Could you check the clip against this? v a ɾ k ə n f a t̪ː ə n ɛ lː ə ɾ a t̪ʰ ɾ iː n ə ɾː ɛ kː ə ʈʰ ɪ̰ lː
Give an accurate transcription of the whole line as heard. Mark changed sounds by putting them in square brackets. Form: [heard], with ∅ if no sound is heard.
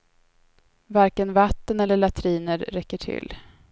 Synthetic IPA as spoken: v a ɾ k ə n [v] a t̪ː ə n ɛ lː ə [ɭ] a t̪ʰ ɾ iː n ə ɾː ɛ kː ə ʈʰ ɪ̰ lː